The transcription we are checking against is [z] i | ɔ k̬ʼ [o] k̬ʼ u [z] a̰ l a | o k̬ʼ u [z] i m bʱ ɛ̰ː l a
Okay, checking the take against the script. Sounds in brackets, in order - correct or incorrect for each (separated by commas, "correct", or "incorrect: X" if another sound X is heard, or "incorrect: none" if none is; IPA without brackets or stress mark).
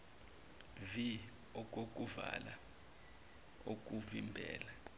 incorrect: v, correct, incorrect: v, incorrect: v